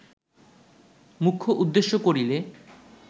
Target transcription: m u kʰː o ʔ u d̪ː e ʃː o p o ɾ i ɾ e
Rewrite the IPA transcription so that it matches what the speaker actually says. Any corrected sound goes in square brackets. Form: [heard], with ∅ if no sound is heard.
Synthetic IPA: m u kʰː o ʔ u d̪ː e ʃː o [k] o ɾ i [l] e